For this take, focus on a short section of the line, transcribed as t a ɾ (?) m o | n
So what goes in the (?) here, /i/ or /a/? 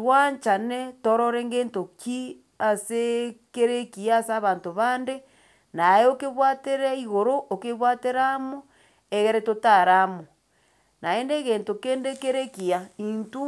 a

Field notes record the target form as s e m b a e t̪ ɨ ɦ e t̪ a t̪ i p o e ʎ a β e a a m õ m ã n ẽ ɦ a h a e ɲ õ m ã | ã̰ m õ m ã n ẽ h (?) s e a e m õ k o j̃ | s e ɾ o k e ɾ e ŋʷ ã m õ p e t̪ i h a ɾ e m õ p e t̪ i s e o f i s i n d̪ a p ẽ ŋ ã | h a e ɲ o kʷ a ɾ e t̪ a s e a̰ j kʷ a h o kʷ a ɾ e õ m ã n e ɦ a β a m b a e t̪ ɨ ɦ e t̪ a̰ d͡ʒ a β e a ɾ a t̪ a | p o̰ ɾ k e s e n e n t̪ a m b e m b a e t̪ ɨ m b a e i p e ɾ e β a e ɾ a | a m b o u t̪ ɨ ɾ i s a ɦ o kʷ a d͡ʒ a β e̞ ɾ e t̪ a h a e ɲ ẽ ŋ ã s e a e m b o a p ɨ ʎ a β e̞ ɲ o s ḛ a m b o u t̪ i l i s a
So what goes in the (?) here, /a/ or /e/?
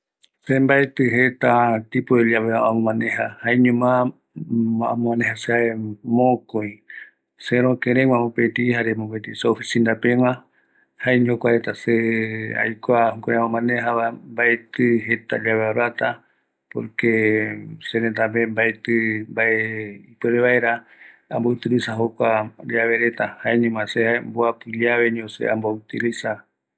a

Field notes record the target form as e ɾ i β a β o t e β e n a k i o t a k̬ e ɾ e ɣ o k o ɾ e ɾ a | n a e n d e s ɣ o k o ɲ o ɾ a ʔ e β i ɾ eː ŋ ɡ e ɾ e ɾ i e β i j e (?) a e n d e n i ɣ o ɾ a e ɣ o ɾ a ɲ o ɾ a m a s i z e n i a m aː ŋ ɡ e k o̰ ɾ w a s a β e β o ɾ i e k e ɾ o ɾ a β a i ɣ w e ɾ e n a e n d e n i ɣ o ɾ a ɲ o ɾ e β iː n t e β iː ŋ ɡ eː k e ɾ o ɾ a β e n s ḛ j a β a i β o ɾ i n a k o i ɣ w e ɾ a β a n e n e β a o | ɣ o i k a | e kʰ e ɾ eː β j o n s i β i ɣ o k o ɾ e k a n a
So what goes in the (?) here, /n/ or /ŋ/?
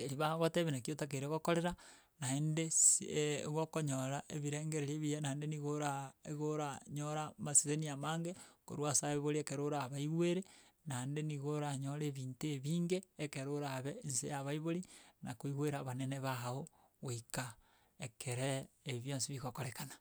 n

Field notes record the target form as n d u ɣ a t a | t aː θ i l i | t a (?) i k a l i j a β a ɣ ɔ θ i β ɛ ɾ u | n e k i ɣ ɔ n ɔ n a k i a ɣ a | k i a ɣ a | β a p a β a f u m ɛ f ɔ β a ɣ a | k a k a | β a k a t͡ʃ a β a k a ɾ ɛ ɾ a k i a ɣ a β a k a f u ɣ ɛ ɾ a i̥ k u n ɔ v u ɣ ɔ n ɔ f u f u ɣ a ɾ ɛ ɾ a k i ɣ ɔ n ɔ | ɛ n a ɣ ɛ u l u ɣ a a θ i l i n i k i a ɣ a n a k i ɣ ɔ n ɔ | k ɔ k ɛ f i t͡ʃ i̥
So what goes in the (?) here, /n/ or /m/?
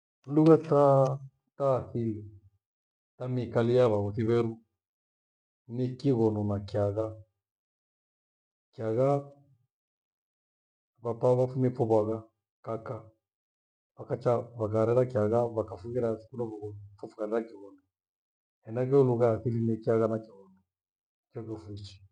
m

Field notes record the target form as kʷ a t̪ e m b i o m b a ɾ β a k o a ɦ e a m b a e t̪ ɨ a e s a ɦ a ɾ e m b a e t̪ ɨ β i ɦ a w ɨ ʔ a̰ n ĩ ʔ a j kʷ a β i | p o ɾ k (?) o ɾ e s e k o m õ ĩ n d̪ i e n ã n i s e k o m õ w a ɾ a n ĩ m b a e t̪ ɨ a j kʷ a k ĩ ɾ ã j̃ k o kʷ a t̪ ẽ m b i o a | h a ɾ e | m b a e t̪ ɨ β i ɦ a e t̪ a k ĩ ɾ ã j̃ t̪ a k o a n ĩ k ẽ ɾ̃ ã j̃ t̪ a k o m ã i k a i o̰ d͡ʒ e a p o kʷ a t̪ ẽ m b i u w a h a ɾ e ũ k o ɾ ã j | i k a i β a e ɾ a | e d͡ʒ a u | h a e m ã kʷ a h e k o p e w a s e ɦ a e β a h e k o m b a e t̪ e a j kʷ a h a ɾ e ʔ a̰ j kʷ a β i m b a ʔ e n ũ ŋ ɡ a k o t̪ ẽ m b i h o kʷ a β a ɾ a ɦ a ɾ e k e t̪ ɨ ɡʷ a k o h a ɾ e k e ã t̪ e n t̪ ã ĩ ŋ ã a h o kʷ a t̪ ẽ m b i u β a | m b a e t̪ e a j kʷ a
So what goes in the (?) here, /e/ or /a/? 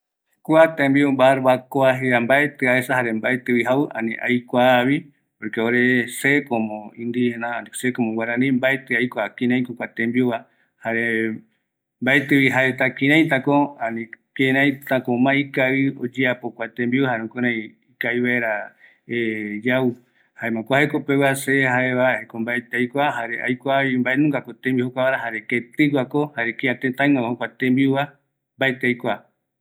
e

